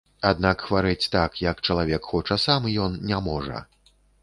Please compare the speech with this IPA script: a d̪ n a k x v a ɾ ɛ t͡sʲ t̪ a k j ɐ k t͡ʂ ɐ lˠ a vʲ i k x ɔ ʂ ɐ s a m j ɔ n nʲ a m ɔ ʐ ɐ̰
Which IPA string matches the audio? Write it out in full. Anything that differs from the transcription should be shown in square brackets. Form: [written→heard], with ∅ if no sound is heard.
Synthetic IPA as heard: a d̪ n a k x v a ɾ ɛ t͡sʲ t̪ a k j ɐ k t͡ʂ ɐ lˠ a vʲ [i→ɛ] k x ɔ [ʂ→t͡ʂ] ɐ s a m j ɔ n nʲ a m ɔ ʐ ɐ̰